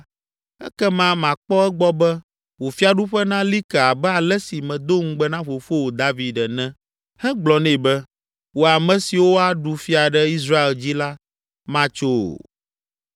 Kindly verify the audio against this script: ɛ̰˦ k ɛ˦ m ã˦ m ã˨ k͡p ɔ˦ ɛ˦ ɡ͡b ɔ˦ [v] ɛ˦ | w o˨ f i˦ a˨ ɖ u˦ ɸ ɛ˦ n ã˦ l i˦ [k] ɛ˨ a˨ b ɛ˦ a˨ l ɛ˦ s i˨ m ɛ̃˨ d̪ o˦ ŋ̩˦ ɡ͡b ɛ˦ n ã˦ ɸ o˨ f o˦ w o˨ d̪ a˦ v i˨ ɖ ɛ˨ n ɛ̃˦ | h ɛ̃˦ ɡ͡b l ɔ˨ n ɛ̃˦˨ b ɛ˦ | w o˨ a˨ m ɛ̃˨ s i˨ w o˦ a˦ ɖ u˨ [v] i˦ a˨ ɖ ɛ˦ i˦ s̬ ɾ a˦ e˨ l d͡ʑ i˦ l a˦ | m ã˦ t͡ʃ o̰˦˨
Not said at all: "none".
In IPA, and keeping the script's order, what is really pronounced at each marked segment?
b, k, f

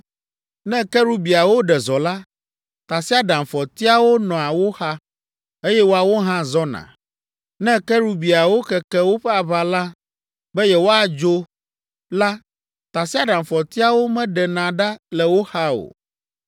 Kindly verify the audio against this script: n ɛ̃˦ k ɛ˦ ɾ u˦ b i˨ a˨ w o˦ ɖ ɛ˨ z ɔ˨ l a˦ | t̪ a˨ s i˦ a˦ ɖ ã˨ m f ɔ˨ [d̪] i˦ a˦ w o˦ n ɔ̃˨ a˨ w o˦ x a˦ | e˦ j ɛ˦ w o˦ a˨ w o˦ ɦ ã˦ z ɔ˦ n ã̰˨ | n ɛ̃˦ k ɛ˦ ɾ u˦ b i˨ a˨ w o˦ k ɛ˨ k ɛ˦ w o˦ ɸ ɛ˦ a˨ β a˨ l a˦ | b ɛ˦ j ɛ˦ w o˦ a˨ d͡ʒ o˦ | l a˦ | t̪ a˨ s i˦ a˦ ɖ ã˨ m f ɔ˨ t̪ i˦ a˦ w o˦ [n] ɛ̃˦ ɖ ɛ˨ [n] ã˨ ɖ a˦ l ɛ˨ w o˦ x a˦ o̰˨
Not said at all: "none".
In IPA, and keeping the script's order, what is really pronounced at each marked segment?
t̪, m, n

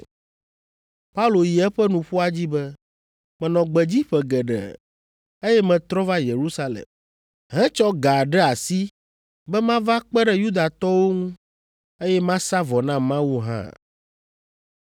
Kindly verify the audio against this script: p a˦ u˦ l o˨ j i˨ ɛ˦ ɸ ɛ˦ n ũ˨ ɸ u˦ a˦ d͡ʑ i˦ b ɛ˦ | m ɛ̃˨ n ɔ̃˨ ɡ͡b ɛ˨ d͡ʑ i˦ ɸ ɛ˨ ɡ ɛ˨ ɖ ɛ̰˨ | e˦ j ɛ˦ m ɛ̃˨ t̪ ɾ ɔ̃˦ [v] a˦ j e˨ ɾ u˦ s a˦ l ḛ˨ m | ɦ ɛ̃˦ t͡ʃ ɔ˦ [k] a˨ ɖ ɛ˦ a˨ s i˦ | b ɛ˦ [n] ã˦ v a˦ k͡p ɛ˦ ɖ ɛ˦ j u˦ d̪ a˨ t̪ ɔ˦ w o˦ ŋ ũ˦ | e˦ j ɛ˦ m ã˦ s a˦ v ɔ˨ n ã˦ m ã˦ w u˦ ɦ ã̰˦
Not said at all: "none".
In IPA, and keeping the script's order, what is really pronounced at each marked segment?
v, ɡ, m

